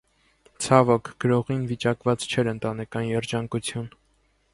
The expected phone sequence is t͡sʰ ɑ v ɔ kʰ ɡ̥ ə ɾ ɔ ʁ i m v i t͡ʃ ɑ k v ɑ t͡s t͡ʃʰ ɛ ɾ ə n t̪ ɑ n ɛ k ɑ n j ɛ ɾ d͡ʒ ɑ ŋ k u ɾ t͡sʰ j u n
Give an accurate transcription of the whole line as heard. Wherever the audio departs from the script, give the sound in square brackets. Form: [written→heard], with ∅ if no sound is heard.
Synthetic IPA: t͡sʰ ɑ v ɔ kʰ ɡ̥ ə ɾ ɔ ʁ i [m→n] v i t͡ʃ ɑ k v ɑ t͡s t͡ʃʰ ɛ ɾ ə n t̪ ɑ n ɛ k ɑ n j ɛ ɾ d͡ʒ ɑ ŋ k u [ɾ→∅] t͡sʰ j u n